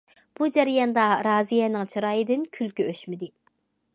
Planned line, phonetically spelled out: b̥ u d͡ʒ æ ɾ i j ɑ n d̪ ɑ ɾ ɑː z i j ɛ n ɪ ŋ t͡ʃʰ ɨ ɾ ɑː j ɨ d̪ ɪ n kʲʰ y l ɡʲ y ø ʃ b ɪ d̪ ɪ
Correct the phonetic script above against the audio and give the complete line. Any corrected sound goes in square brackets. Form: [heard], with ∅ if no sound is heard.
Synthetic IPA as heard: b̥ u d͡ʒ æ ɾ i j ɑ n d̪ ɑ ɾ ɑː z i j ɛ n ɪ ŋ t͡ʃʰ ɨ ɾ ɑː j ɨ d̪ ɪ n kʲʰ y l [kʲ] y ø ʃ [m] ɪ d̪ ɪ